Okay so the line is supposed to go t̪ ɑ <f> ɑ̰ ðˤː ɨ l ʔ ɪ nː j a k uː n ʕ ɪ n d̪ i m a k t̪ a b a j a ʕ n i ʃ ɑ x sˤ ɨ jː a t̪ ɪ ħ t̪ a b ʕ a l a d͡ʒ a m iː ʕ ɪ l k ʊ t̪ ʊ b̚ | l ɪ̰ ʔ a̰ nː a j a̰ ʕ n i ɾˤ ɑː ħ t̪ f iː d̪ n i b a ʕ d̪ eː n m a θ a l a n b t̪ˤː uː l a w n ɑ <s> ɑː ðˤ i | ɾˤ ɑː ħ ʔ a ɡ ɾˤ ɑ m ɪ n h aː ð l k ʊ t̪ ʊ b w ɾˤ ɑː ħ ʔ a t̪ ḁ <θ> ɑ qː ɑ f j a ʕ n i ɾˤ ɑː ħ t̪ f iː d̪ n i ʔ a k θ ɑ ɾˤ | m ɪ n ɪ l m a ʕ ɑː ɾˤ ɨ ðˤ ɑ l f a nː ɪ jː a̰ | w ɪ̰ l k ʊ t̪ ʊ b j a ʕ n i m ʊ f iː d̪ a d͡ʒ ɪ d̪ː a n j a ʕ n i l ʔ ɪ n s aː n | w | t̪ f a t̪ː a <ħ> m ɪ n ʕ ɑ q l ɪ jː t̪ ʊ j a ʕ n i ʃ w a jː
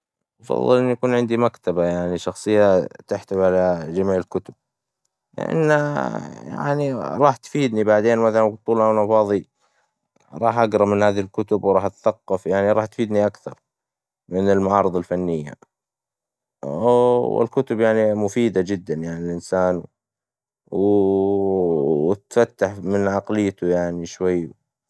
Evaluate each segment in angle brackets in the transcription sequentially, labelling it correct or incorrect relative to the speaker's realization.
correct, incorrect: f, correct, correct

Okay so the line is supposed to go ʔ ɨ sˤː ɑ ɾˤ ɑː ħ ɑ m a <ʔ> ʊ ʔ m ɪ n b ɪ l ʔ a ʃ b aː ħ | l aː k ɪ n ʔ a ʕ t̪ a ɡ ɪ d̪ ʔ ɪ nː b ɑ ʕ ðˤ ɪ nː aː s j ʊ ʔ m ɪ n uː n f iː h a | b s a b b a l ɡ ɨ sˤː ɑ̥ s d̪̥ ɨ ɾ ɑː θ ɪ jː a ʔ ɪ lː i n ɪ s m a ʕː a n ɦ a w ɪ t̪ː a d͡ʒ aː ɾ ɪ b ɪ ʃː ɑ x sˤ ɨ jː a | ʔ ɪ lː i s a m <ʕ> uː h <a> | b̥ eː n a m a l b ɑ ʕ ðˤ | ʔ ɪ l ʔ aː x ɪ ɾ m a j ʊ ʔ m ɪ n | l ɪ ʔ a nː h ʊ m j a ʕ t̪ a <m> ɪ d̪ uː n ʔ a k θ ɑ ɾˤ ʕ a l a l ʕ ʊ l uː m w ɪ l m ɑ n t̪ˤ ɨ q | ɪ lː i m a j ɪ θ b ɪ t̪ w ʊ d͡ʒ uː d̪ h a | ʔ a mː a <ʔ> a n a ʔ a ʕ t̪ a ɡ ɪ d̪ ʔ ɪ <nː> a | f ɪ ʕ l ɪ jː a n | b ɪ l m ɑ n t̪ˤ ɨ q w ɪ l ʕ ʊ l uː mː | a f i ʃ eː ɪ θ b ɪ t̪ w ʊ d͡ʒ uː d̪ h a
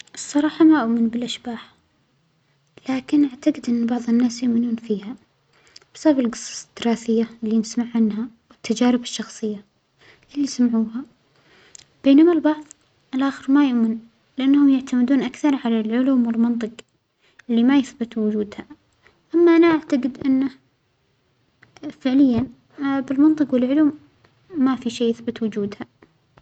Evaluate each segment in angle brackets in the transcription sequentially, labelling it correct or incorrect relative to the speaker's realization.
correct, correct, correct, correct, correct, correct

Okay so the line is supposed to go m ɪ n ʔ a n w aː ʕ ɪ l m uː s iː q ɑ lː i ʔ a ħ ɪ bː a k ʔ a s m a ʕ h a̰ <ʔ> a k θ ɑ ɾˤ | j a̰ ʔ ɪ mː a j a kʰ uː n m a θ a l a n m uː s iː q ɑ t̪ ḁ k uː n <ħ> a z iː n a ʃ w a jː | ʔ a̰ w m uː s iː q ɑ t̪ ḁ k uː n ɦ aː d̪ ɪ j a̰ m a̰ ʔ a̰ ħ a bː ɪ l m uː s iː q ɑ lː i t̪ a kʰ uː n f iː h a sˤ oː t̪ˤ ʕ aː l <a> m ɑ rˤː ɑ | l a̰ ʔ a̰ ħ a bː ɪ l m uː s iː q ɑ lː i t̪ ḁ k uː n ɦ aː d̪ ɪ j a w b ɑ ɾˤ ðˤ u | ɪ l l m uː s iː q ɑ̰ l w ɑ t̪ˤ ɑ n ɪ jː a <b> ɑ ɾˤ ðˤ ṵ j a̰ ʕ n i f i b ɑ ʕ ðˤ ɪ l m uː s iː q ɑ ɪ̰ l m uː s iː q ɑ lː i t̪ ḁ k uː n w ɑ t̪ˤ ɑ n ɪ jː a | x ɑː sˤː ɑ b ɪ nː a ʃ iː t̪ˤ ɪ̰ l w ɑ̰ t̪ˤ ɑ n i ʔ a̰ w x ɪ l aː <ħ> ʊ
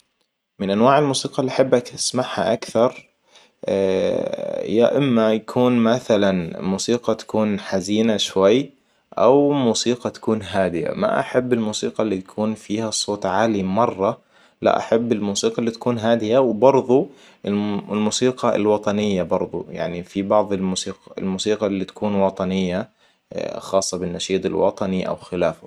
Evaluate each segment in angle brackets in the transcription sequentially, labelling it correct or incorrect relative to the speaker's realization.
correct, correct, incorrect: i, correct, incorrect: f

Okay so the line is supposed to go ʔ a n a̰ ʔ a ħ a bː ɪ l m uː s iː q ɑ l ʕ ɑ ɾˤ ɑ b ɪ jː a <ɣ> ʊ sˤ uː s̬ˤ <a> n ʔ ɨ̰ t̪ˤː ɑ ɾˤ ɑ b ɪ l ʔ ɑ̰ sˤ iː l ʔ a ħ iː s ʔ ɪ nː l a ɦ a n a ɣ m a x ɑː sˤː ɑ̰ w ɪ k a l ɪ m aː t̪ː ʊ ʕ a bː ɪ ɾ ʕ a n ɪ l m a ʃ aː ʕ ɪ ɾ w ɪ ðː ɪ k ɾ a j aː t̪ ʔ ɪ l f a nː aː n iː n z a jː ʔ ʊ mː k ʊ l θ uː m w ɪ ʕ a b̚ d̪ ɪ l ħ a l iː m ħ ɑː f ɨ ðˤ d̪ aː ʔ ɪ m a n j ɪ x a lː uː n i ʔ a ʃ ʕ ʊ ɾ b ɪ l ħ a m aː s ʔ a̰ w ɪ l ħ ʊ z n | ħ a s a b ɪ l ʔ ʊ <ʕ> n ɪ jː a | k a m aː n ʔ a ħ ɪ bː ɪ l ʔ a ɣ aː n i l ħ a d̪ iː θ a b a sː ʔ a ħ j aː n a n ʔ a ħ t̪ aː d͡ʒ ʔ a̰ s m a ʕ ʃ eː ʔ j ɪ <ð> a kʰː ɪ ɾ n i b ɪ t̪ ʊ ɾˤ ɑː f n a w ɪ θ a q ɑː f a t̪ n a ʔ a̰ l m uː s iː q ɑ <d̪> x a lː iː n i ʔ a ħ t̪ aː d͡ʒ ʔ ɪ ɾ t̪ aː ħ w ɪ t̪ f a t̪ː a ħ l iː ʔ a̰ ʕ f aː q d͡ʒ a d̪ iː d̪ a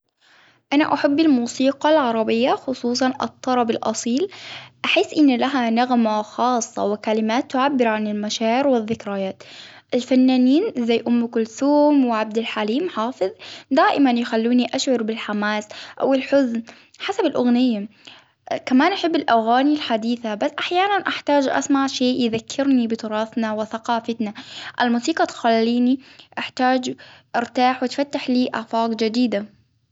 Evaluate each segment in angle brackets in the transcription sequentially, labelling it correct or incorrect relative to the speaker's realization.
incorrect: x, incorrect: ɑ, incorrect: ɣ, correct, incorrect: t̪

